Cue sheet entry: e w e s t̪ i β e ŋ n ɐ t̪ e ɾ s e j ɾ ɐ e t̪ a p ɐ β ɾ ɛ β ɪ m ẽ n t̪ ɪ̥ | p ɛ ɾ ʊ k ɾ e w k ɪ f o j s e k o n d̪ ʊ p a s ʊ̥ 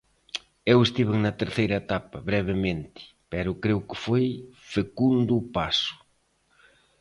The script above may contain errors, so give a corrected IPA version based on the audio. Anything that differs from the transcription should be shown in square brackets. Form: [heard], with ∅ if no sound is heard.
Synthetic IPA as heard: e w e s t̪ i β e ŋ n ɐ t̪ e ɾ [θ] e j ɾ ɐ e t̪ a p ɐ β ɾ ɛ β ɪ m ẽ n t̪ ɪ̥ | p ɛ ɾ ʊ k ɾ e w k ɪ f o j [f] e k [u] n d̪ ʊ p a s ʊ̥